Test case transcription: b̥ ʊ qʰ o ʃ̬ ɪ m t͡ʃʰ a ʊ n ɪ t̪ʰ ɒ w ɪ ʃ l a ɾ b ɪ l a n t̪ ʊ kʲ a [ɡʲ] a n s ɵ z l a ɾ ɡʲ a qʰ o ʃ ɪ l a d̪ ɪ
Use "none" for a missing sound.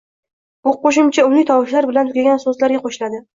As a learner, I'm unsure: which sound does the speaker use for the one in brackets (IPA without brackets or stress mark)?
ɡʲ